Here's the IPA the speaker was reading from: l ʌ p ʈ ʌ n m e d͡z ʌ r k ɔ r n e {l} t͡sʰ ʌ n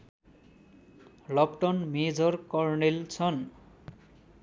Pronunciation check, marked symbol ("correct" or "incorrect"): correct